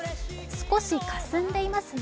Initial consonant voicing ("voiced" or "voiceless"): voiceless